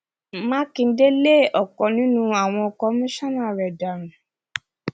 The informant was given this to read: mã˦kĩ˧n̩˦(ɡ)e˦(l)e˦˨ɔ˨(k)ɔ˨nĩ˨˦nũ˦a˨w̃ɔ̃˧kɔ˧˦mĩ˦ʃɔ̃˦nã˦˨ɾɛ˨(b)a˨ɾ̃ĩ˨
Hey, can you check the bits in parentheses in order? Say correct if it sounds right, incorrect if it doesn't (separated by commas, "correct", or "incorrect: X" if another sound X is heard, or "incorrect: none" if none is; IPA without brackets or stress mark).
incorrect: d, correct, correct, incorrect: d